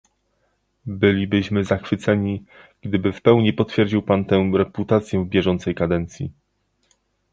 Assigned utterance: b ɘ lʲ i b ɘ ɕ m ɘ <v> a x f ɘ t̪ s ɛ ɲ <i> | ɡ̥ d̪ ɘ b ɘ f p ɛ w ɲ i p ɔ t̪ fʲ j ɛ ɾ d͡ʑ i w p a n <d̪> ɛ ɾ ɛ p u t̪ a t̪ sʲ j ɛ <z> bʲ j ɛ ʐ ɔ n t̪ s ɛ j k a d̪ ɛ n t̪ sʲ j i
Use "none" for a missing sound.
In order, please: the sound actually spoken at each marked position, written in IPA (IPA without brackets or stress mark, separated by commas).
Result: z, i, t̪, v